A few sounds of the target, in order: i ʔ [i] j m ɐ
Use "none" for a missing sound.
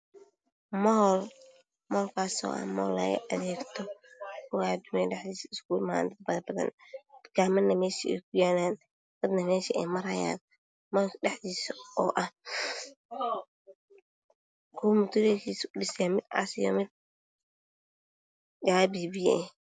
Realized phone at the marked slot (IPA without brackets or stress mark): ɛ